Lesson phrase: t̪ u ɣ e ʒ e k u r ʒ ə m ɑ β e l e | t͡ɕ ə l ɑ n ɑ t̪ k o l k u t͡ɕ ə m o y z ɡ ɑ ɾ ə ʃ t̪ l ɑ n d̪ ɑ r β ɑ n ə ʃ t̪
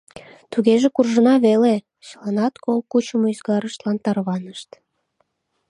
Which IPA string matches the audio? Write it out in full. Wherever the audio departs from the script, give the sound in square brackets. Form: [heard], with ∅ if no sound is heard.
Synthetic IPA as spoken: t̪ u ɣ e ʒ e k u r ʒ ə [n] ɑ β e l e | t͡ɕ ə l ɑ n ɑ t̪ k o l k u t͡ɕ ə m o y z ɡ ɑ ɾ ə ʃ t̪ l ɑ n [t̪] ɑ r β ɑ n ə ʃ t̪